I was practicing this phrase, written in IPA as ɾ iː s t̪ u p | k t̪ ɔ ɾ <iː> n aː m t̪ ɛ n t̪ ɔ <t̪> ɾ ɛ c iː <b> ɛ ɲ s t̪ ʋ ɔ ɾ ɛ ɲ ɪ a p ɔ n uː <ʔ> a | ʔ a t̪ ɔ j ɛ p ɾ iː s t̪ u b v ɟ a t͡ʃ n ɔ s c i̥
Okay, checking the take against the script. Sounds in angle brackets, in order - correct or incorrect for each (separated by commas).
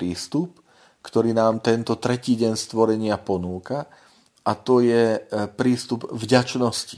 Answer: correct, correct, incorrect, incorrect